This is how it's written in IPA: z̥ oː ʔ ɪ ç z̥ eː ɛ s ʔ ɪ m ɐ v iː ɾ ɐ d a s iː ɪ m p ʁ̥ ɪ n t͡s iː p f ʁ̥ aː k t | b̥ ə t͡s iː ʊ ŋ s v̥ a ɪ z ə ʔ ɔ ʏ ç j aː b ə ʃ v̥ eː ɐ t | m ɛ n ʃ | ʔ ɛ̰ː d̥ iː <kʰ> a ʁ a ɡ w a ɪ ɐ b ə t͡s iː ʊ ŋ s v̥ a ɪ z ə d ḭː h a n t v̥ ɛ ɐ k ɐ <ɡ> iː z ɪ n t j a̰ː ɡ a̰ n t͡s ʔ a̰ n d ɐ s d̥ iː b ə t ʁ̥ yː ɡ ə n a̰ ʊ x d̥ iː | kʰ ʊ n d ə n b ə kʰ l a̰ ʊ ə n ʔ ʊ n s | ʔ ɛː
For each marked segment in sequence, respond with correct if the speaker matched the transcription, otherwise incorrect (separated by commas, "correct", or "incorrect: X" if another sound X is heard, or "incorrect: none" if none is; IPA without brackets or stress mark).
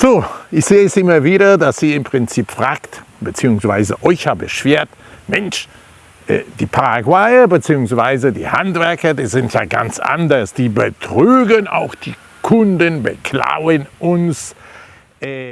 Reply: incorrect: pʰ, incorrect: d